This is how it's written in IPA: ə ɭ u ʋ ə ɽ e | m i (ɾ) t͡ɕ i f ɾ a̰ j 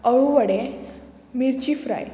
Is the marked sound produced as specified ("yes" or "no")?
yes